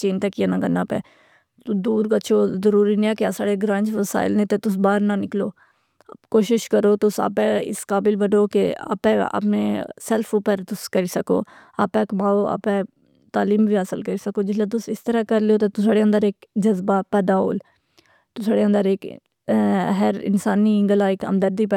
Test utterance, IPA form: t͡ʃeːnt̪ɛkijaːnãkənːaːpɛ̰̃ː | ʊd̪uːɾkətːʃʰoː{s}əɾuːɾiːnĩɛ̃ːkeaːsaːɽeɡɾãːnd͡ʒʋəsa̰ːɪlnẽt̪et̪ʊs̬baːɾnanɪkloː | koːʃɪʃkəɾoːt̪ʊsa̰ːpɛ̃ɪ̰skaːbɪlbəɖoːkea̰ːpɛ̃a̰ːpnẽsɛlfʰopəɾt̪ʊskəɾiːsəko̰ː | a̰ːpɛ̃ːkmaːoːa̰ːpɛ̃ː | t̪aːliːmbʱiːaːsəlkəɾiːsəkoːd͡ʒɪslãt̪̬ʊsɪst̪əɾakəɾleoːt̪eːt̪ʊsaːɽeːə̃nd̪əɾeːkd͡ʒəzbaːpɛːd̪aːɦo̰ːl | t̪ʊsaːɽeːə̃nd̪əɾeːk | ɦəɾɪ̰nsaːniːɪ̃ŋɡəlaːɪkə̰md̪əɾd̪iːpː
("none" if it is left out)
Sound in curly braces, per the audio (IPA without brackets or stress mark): z